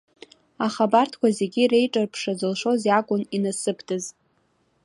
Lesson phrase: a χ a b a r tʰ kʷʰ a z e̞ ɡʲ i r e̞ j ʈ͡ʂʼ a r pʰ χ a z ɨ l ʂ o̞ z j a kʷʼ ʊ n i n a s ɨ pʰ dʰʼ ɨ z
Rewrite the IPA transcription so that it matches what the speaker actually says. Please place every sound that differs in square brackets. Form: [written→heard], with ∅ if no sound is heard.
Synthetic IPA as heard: a χ a b a r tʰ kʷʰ a z e̞ ɡʲ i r e̞ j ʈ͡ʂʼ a r pʰ [χ→ʂ] a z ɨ l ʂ o̞ z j a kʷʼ ʊ n i n a s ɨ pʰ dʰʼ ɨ z